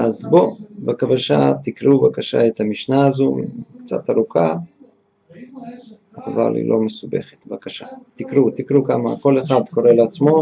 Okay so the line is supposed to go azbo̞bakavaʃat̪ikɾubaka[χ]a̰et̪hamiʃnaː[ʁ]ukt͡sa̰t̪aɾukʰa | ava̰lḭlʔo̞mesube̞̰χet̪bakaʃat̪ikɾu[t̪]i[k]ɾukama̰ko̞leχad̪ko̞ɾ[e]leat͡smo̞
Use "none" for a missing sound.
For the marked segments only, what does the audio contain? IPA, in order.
ʃ, z, t̪, k, e

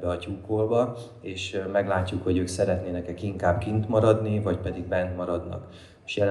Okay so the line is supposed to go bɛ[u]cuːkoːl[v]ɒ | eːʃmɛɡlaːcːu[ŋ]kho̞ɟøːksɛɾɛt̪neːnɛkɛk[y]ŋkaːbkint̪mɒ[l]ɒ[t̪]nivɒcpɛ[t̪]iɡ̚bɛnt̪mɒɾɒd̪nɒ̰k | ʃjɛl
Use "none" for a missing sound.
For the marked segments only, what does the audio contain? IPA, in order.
ɒ, b, none, i, ɾ, d̪, d̪

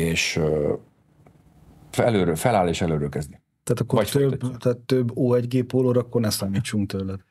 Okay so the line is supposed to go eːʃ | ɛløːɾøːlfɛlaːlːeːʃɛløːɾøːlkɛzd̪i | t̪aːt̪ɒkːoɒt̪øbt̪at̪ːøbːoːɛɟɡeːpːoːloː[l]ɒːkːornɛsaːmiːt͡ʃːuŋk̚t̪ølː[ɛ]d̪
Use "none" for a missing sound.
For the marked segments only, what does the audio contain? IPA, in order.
ɾ, ɛ

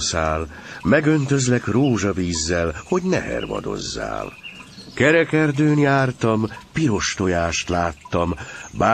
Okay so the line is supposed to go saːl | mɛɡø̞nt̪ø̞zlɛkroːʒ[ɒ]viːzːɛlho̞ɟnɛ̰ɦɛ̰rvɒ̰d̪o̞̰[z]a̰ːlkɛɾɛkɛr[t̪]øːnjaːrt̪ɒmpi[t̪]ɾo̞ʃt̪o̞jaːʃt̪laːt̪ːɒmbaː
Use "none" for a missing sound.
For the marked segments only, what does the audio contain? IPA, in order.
ɒ, zː, d̪, none

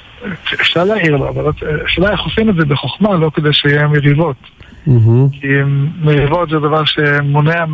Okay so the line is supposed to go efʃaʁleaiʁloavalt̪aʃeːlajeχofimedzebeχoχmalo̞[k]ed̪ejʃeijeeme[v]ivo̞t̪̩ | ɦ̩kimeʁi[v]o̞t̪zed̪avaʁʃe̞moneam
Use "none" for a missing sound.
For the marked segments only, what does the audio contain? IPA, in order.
k, ʁ, v

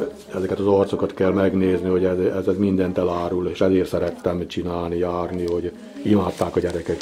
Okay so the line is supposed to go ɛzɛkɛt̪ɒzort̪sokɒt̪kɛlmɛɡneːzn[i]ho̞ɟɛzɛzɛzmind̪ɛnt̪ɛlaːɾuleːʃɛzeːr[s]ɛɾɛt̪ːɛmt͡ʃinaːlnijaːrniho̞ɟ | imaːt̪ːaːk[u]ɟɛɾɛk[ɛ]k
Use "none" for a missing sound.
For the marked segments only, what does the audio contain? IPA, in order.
i, s, ɒ, ɛ

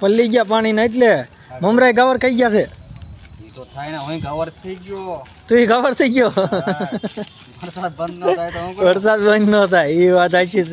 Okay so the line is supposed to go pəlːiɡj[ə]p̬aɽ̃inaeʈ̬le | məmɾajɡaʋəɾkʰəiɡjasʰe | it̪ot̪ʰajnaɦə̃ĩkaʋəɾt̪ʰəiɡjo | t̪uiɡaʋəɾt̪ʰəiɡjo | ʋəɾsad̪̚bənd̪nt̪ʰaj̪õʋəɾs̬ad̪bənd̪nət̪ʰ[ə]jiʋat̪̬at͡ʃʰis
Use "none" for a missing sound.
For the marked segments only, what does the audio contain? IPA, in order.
a, a

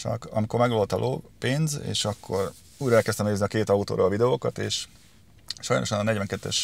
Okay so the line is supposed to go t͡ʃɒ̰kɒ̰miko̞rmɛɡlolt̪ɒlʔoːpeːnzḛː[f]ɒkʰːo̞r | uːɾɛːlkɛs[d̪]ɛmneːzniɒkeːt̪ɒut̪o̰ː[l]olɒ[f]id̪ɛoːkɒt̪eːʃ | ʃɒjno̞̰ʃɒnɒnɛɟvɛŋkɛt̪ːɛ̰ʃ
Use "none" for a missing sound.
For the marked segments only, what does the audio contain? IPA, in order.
ʃ, t̪, ɾ, v

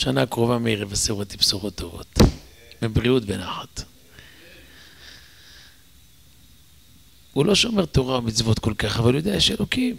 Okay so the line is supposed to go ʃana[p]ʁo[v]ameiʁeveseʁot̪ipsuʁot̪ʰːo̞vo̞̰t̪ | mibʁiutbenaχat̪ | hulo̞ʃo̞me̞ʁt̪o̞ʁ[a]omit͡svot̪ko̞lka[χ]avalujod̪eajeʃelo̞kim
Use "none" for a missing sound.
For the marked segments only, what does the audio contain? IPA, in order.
k, v, a, χ

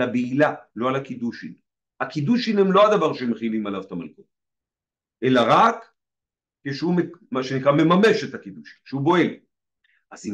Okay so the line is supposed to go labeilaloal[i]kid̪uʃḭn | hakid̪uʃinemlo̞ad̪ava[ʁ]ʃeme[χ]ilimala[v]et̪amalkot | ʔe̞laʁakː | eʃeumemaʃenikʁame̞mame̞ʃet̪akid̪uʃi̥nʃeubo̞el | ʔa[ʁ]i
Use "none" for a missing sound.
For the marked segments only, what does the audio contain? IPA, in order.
a, ʁ, χ, v, z

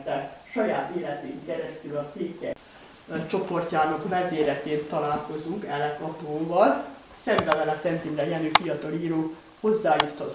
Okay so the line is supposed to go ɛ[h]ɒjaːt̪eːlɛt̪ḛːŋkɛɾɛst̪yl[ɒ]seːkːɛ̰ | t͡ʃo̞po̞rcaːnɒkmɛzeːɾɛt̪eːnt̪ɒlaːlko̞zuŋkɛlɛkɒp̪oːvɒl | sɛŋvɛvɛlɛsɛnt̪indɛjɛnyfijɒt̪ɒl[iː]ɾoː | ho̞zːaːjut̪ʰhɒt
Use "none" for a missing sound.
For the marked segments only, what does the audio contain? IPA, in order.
ʃ, ɒ, iː

